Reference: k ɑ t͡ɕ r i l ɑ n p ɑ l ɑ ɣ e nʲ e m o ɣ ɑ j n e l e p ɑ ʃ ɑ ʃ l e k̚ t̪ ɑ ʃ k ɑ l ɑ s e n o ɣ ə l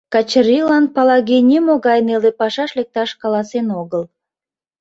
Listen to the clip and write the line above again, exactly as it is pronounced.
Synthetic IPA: k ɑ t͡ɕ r i l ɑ n p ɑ l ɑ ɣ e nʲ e m o ɣ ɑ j n e l e p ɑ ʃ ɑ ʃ l e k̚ t̪ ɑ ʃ k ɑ l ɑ s e n o ɣ ə l